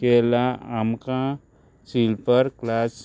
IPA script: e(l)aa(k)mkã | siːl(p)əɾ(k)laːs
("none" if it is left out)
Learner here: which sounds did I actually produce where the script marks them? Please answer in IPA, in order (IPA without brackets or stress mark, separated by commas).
l, none, p, k